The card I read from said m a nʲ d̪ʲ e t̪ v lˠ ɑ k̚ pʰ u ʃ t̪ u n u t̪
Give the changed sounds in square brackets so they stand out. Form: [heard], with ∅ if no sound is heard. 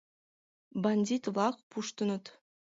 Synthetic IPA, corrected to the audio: [b] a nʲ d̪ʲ [i] t̪ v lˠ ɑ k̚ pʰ u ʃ t̪ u n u t̪